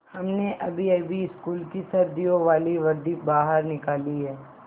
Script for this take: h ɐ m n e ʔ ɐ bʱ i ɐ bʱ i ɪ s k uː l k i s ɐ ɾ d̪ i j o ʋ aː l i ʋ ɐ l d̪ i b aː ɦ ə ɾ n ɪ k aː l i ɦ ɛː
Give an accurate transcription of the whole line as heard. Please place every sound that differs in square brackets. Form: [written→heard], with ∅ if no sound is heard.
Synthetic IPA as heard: h ɐ m n e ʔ ɐ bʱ i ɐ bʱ i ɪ s k uː l k i s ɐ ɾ d̪ i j o ʋ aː l i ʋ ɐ [l→ɾ] d̪ i b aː ɦ ə ɾ n ɪ k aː l i ɦ ɛː